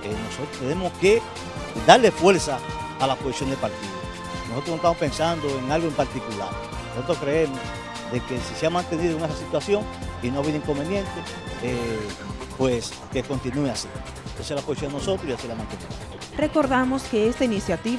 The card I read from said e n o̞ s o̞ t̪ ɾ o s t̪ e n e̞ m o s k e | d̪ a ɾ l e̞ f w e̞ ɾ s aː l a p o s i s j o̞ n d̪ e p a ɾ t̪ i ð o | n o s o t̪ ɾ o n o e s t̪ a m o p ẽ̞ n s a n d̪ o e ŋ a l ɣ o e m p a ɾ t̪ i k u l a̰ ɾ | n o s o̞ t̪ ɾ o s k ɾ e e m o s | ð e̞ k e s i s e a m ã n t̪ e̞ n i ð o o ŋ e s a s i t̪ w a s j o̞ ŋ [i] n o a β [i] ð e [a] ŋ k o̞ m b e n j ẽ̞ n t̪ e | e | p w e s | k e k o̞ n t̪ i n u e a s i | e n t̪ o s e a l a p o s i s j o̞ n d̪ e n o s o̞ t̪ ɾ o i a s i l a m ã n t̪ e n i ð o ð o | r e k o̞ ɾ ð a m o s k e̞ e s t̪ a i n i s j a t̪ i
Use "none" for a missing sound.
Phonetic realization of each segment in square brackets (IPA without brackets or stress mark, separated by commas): i, i, i